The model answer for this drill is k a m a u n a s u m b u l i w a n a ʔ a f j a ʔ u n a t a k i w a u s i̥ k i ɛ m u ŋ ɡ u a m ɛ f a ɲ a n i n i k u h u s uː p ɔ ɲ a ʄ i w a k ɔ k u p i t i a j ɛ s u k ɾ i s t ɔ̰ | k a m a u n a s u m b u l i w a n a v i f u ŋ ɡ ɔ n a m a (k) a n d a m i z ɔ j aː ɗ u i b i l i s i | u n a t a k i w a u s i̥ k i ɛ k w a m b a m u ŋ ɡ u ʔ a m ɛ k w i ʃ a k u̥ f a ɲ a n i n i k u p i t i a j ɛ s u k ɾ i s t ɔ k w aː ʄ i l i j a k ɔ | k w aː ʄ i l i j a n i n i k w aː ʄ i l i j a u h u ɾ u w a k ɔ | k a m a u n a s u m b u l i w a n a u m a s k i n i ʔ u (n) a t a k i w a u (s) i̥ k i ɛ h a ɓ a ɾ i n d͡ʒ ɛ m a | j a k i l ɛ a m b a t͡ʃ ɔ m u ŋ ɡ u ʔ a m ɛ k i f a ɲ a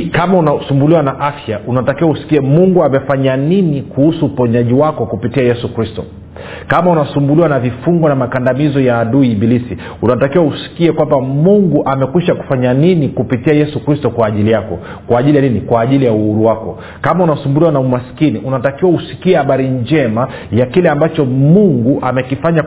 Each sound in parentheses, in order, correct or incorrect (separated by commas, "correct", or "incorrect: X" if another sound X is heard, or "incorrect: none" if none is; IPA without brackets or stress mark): correct, correct, correct